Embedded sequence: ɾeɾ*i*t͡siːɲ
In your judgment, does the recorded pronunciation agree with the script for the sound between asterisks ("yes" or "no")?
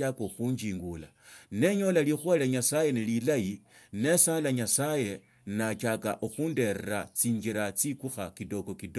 no